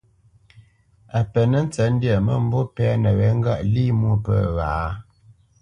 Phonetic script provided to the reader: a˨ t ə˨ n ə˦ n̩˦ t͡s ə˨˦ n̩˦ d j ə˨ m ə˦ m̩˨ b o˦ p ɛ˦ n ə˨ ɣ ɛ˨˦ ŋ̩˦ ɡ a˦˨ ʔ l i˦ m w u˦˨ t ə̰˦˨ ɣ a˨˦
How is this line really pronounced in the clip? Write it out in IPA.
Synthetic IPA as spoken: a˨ p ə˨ n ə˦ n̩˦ t͡s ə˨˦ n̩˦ d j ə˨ m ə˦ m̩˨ b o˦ p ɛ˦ n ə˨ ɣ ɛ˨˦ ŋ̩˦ ɡ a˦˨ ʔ l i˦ m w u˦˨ p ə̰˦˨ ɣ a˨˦